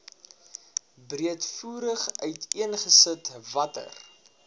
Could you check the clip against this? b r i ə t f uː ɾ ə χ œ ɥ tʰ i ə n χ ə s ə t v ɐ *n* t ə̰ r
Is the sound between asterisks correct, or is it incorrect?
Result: incorrect